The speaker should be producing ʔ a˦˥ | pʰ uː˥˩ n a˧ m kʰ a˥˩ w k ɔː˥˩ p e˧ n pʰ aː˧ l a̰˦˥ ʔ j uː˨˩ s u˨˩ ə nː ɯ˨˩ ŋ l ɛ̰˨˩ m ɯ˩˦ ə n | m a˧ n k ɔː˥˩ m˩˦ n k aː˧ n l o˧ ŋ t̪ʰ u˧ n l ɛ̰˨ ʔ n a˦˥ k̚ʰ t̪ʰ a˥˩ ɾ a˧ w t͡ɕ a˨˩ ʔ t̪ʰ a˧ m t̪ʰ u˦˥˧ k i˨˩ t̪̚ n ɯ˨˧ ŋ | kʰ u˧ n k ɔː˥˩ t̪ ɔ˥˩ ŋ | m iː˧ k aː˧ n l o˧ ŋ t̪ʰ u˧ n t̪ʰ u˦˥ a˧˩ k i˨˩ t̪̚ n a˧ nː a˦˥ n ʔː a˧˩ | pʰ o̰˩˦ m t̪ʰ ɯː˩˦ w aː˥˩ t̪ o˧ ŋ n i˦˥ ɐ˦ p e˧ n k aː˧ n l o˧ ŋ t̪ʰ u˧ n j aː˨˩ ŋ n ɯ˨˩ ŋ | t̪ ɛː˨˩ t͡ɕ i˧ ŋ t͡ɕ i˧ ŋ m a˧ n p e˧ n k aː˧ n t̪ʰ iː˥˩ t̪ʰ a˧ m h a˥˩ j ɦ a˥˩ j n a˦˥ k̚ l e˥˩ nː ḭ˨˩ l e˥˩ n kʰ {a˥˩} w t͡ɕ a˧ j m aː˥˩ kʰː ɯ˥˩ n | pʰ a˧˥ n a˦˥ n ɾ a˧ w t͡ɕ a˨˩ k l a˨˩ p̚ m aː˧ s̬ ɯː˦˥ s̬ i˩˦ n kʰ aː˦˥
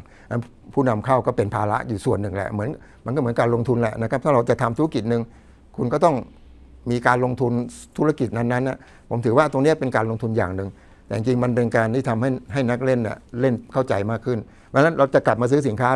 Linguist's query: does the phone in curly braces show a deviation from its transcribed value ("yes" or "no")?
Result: no